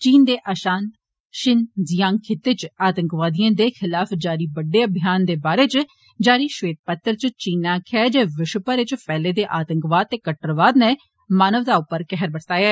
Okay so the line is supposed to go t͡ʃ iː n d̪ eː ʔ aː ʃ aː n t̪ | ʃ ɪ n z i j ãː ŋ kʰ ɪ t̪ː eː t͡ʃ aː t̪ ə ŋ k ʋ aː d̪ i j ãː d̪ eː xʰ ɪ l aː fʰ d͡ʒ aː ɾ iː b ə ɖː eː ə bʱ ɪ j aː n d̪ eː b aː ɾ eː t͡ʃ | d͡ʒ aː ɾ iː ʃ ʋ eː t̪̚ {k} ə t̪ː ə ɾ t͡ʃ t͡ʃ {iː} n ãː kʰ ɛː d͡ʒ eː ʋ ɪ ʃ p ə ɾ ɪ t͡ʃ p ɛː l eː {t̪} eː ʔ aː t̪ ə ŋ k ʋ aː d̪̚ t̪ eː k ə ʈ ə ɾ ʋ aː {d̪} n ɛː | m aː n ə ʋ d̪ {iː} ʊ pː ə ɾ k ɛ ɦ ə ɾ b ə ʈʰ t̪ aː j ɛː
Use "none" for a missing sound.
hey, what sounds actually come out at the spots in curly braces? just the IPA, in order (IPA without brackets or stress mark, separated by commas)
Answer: p, iː, d̪, d̪, aː